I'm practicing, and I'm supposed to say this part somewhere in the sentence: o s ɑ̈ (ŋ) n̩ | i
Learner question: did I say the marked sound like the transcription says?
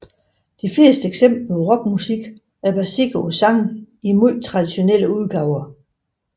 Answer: yes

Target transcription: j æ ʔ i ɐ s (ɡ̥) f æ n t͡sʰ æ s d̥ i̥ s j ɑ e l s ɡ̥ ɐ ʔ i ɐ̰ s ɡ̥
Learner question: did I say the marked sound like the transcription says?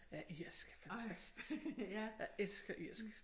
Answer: yes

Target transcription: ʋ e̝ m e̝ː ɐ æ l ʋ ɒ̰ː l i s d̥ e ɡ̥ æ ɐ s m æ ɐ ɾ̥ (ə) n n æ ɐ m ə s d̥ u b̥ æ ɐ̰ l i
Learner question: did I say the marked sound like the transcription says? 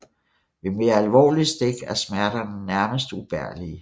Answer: no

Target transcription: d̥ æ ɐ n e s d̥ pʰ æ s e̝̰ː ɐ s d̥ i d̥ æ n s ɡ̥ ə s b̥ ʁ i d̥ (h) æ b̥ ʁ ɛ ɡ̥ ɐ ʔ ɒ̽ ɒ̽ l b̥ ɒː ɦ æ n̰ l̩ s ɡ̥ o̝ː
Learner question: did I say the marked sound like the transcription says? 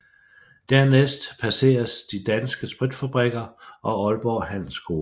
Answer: no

